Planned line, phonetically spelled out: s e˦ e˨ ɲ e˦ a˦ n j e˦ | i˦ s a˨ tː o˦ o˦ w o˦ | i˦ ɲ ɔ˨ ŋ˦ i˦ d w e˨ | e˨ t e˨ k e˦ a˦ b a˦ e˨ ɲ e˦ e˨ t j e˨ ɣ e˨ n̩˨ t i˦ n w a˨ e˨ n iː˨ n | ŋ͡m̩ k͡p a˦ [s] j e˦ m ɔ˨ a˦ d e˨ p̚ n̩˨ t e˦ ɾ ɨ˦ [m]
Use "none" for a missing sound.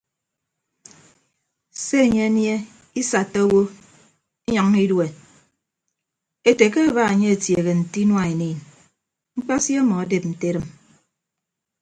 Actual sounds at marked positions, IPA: s, m

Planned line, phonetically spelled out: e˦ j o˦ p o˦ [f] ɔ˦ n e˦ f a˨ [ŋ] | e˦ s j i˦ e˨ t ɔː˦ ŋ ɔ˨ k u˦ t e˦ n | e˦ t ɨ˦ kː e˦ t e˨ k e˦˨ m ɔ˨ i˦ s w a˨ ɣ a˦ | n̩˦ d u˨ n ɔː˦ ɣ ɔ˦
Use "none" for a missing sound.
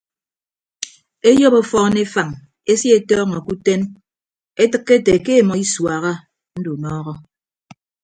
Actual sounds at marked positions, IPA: f, ŋ

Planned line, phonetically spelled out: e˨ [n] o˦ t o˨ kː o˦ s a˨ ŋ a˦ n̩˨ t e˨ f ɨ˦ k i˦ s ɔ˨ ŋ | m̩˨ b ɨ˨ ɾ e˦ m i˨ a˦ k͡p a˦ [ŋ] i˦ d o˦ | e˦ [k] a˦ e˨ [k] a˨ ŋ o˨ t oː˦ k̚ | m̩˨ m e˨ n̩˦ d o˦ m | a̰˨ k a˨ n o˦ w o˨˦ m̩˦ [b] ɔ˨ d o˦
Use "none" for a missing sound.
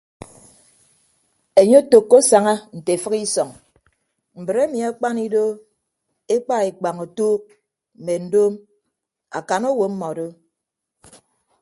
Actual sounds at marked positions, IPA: ɲ, n, k͡p, k͡p, m

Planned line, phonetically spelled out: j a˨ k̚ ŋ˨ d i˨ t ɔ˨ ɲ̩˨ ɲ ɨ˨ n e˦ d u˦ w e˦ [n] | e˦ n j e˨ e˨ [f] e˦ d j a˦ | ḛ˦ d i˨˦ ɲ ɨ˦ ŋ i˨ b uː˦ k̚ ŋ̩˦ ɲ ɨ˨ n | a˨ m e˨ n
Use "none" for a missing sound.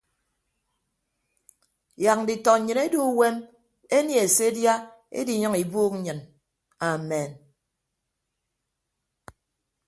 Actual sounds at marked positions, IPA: m, s

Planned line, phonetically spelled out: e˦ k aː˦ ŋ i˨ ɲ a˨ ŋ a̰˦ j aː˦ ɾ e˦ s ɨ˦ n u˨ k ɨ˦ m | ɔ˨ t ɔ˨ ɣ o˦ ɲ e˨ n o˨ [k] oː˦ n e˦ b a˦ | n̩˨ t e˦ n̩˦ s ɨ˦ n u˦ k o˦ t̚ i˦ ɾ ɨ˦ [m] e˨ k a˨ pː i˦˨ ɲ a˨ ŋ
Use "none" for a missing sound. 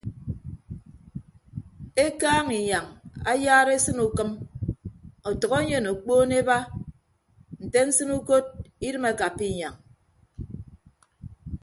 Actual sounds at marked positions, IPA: k͡p, m

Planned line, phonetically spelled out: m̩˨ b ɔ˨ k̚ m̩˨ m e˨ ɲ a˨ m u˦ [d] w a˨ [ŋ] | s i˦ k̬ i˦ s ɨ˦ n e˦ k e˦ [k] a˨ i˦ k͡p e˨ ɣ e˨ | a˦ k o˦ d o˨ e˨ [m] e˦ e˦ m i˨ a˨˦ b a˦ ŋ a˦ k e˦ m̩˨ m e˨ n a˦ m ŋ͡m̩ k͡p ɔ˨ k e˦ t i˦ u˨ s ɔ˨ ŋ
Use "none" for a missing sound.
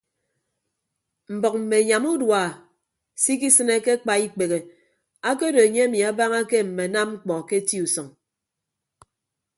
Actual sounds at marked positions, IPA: d, none, k͡p, ɲ

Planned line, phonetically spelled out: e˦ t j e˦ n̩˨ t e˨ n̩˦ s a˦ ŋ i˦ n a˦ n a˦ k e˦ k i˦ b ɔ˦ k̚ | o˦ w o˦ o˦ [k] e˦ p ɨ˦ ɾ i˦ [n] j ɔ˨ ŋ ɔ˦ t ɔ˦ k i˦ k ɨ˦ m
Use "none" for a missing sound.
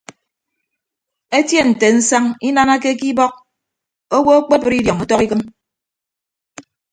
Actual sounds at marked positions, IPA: k͡p, d

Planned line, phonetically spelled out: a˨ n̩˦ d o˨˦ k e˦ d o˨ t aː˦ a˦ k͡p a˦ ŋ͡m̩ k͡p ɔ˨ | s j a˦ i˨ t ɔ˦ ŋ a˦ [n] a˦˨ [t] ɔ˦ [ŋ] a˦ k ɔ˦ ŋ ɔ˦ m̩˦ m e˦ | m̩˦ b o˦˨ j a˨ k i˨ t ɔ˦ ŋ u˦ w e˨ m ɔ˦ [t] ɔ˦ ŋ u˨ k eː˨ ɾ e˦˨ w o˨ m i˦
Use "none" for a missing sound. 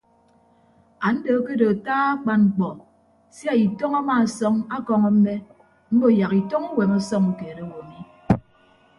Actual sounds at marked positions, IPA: m, s, ŋ, s

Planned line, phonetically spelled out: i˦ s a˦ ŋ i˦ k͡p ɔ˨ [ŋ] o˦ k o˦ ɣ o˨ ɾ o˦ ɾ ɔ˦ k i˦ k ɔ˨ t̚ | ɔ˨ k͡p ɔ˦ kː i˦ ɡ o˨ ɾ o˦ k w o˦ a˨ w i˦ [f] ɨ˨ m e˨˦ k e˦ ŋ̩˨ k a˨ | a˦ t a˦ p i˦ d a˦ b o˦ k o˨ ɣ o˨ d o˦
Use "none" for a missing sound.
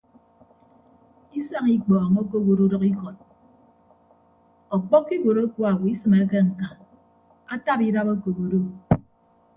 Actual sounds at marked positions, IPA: ŋ, s

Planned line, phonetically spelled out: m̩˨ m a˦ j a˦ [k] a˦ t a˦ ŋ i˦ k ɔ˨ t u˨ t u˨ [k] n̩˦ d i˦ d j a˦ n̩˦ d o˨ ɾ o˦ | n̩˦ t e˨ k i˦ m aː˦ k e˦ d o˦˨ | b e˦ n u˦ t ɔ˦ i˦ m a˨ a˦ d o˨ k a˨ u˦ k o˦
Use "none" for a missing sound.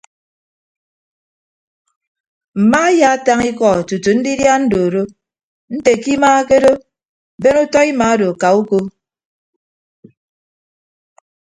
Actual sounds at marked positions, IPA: none, none

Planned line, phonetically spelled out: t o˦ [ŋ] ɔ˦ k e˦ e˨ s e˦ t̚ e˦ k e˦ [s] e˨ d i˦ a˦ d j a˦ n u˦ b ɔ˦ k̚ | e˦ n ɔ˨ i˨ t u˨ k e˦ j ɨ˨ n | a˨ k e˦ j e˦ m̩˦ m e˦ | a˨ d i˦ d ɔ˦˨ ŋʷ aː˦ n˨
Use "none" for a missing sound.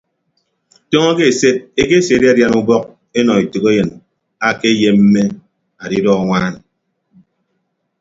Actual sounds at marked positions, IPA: ŋ, s

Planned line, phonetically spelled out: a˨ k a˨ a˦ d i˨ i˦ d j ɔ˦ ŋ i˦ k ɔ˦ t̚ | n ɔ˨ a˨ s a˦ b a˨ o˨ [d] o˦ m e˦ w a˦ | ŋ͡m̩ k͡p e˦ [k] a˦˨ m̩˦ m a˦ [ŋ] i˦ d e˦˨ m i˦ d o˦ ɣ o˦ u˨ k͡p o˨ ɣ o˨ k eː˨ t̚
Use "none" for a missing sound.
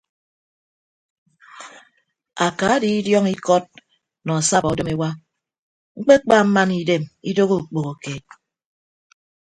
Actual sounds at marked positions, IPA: d, k͡p, n

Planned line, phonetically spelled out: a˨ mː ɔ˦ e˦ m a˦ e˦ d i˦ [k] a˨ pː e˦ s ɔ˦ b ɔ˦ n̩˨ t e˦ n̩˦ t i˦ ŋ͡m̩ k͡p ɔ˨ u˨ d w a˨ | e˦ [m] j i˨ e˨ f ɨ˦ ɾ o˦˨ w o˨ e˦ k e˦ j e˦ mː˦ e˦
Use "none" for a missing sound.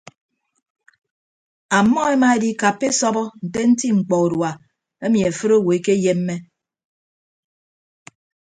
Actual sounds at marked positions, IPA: k, m

